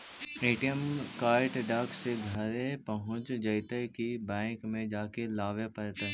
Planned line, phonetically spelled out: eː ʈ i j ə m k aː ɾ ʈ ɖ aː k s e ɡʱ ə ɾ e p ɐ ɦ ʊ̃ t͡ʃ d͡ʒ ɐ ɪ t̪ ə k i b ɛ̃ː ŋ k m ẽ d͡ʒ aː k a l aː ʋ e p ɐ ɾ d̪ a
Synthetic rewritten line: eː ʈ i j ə m k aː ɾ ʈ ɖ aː k s e ɡʱ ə ɾ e p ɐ ɦ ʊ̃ t͡ʃ d͡ʒ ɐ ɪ t̪ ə k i b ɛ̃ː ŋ k m ẽ d͡ʒ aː k e l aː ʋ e p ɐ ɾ t̪ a

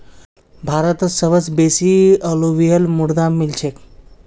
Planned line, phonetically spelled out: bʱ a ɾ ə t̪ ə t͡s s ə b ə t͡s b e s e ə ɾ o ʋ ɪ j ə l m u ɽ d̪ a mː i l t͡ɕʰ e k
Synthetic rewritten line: bʱ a ɾ ə t̪ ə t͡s s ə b ə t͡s b e s i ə l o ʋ i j ə l m u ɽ d̪ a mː i l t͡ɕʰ e k

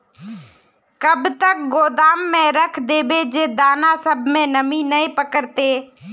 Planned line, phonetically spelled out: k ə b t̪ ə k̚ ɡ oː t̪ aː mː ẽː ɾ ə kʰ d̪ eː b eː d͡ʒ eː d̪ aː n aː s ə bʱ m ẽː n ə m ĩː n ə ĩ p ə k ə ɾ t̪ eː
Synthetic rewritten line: k ə b t̪ ə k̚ ɡ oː d̪ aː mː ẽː ɾ ə kʰ d̪ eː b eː d͡ʒ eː d̪ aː n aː s ə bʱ m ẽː n ə m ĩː n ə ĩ p ə k ə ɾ t̪ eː

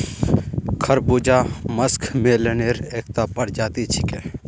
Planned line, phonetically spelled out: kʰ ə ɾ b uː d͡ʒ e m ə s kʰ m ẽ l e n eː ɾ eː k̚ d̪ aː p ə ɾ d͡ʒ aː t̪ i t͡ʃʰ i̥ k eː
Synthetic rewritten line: kʰ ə ɾ b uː d͡ʒ a m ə s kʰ m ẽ l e n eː ɾ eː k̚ t̪ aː p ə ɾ d͡ʒ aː t̪ i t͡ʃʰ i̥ k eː

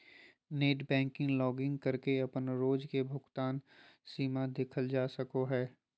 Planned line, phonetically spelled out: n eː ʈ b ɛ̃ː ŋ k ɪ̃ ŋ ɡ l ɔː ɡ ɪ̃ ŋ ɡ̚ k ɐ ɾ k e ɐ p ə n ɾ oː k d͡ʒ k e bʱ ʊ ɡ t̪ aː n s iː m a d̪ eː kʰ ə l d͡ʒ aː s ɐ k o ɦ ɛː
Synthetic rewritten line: n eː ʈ b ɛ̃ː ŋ k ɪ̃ ŋ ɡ l ɔː ɡ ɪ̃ ŋ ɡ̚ k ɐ ɾ k e ɐ p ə n ɾ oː d͡ʒ k e bʱ ʊ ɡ t̪ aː n s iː m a d̪ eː kʰ ə l d͡ʒ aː s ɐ k o ɦ ɛː

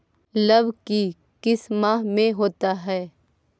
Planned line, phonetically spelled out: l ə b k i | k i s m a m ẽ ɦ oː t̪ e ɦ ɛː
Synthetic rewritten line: l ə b k i | k ɪ s m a m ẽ ɦ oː t̪ a ɦ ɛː

